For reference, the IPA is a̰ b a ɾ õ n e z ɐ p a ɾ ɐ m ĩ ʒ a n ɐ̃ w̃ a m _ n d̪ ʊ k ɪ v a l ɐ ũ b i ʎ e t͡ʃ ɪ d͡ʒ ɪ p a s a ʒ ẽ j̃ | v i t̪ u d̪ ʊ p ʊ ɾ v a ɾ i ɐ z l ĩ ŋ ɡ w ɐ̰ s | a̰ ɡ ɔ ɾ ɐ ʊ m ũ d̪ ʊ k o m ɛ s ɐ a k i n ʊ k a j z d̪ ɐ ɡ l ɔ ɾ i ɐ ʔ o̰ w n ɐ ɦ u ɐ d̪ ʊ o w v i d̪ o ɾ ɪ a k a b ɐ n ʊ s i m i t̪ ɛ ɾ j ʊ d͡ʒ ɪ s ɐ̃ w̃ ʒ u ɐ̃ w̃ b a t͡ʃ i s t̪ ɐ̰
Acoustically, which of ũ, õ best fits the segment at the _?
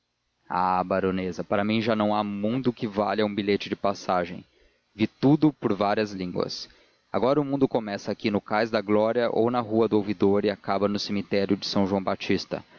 ũ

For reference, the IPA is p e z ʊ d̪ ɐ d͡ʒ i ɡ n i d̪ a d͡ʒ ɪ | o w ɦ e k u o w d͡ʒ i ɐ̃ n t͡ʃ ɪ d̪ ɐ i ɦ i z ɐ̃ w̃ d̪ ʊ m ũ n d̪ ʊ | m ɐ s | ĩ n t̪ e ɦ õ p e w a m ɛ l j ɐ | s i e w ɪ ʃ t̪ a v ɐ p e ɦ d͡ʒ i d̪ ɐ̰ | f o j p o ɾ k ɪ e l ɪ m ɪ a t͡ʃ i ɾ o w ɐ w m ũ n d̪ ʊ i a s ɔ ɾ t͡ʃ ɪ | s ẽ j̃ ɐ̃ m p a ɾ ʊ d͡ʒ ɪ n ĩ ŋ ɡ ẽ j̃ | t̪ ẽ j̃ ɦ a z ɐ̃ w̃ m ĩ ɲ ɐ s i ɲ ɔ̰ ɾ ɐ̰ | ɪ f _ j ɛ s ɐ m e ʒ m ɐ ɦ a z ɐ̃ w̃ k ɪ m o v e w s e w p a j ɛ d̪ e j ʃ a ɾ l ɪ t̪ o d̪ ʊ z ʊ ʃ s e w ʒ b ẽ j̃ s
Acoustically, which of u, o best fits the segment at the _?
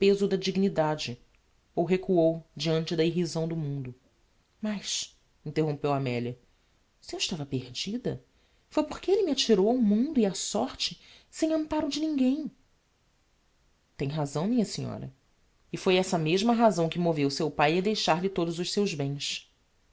o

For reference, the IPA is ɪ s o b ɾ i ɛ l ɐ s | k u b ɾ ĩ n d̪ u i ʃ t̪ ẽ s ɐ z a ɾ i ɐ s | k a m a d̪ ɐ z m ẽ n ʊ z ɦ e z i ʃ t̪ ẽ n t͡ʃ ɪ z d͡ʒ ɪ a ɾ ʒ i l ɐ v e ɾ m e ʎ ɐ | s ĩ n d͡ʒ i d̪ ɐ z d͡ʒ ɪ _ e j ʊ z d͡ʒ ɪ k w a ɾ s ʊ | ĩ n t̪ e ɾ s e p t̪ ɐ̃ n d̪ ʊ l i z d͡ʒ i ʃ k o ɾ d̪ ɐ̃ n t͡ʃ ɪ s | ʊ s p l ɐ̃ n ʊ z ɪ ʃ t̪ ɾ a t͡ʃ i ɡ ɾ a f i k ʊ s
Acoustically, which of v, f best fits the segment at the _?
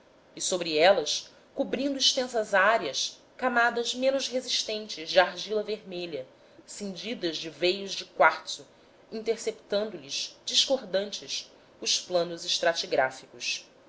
v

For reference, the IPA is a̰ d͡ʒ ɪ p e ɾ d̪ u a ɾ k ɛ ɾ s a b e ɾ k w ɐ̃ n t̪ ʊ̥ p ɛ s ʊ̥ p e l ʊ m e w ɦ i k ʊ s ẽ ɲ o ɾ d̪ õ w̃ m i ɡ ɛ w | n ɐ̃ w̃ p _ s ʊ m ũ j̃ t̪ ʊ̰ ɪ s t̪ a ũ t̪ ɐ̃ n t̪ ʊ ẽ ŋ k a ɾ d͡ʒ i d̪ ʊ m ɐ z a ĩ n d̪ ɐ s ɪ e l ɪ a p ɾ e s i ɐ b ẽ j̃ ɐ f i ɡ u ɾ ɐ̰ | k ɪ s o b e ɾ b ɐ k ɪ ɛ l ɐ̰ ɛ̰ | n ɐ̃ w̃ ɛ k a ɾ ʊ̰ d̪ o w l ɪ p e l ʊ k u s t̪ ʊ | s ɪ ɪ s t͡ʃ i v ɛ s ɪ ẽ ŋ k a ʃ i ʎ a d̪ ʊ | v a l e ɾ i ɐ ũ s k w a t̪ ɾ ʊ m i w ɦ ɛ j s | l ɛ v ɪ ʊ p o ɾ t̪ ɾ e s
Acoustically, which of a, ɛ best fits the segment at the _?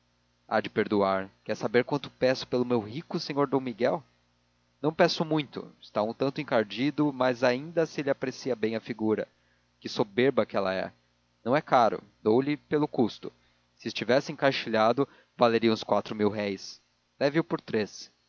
ɛ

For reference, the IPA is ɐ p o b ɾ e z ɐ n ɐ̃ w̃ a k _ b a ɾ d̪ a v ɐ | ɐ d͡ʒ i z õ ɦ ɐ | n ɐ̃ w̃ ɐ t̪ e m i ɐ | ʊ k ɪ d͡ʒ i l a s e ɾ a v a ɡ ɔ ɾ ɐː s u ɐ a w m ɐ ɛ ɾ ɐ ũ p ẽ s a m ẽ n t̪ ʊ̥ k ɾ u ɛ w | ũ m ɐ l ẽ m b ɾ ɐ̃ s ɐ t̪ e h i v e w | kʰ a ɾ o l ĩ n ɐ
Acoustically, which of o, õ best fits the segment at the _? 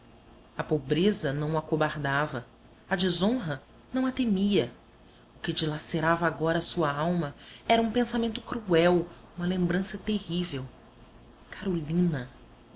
o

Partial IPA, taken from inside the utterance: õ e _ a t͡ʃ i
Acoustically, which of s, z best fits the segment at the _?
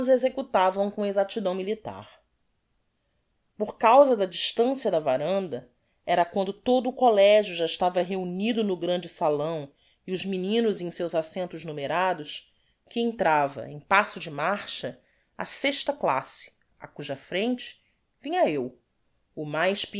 z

